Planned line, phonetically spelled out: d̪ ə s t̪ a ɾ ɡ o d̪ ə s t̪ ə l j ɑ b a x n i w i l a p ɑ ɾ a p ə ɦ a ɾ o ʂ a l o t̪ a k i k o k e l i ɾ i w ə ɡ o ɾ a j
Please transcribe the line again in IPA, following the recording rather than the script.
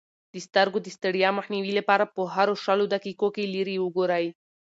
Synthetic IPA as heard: d̪ ə s t̪ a ɾ ɡ o d̪ ə s t̪ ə ɽ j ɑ m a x n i w i l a p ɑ ɾ a p ə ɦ a ɾ o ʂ a l o d̪ a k i k o k e l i ɾ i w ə ɡ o ɾ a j